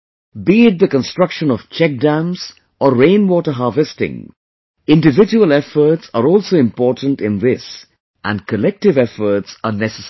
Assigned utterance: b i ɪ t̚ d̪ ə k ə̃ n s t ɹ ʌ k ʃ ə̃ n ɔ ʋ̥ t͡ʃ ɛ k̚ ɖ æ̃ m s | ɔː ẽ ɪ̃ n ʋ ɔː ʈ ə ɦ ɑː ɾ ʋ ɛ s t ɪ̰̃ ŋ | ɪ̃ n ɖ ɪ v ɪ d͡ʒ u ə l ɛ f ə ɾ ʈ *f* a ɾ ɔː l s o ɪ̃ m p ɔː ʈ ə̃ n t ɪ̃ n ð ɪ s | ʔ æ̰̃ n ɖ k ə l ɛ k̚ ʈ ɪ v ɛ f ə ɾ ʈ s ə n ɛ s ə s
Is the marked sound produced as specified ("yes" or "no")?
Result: no